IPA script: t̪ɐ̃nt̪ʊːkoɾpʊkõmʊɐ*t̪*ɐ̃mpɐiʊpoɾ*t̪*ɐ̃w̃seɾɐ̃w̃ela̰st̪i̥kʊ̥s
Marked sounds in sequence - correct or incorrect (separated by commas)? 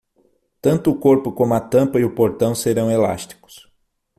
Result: correct, correct